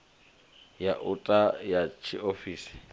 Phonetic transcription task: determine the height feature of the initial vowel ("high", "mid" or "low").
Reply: low